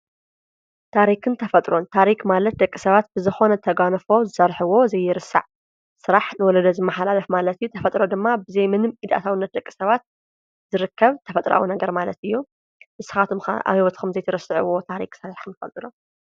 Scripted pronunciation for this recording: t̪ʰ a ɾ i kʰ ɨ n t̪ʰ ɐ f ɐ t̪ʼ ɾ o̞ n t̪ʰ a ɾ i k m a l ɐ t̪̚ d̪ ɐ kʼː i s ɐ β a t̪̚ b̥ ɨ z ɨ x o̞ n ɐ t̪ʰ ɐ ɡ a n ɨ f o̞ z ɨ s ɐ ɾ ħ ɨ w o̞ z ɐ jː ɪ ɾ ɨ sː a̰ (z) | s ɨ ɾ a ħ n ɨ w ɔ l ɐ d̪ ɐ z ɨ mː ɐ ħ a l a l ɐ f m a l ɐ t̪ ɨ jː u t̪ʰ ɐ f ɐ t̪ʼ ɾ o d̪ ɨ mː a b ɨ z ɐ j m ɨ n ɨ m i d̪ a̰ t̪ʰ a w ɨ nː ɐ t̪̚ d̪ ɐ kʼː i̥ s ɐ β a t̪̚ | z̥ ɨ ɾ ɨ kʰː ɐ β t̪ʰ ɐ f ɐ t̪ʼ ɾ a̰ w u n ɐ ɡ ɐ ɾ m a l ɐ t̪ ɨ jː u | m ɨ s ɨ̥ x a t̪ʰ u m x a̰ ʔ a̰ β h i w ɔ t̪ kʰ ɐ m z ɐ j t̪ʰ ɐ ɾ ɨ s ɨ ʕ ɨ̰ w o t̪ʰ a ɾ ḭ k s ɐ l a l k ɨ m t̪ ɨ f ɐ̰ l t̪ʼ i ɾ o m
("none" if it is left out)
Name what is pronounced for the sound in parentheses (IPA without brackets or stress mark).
ʕ